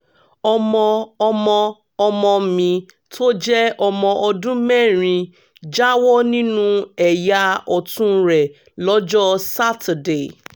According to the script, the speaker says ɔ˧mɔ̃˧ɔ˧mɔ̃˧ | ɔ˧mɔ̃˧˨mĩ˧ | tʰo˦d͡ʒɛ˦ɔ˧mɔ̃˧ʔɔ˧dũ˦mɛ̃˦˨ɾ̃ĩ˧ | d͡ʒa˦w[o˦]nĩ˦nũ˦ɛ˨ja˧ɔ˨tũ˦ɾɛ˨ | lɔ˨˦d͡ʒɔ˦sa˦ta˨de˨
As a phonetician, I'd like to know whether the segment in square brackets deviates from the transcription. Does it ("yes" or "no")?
yes